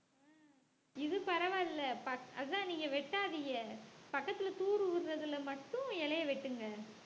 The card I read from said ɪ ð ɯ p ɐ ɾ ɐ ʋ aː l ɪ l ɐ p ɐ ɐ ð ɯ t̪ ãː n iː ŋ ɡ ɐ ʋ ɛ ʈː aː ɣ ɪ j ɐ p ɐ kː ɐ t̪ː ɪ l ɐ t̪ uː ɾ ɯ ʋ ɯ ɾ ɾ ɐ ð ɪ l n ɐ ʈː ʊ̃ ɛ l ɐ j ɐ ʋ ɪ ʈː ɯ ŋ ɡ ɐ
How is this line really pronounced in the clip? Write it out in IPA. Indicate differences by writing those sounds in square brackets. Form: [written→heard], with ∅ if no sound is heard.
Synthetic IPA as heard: ɪ ð ɯ p ɐ ɾ ɐ ʋ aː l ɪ l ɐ p ɐ ɐ ð ɯ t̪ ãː n iː ŋ ɡ ɐ ʋ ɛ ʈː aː [ɣ→ð] ɪ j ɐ p ɐ kː ɐ t̪ː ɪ l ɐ t̪ uː ɾ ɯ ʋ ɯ ɾ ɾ ɐ ð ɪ l [n→m] ɐ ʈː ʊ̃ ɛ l ɐ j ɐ ʋ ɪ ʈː ɯ ŋ ɡ ɐ